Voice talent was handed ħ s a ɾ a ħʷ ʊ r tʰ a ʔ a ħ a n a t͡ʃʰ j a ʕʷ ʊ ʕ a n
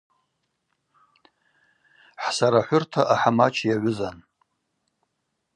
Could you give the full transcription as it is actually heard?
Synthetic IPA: ħ s a ɾ a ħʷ ʊ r tʰ a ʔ a ħ a m a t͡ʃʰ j a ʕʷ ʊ z a n